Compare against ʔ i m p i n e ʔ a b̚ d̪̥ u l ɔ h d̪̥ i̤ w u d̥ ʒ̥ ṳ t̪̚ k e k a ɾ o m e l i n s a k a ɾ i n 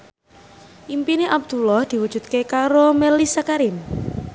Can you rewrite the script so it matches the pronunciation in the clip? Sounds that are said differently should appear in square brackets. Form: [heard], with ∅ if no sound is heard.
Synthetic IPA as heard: ʔ i m p i n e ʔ a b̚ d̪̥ u l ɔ h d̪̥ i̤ w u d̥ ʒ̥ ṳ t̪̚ k e k a ɾ o m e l i [∅] s a k a ɾ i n